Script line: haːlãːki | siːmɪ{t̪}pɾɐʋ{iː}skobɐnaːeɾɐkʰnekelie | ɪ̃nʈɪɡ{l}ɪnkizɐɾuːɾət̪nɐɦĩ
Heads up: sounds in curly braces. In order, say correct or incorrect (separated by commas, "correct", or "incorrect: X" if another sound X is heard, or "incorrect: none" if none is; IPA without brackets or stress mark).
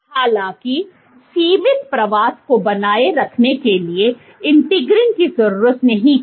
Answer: correct, incorrect: aː, incorrect: ɾ